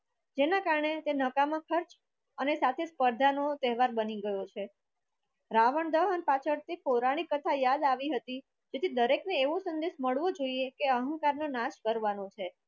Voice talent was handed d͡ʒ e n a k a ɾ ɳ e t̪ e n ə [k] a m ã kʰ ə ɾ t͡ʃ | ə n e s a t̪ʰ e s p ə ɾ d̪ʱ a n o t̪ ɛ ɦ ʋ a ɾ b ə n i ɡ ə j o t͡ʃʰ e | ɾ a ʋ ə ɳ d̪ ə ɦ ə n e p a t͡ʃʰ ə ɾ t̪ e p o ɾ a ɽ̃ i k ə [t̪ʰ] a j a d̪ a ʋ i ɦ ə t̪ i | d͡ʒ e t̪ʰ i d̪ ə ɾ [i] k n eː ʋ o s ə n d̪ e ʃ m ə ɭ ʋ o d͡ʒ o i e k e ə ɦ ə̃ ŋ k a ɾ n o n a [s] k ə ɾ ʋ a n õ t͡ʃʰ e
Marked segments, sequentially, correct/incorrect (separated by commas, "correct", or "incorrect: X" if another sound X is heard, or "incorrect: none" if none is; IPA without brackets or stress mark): correct, correct, incorrect: e, incorrect: ʃ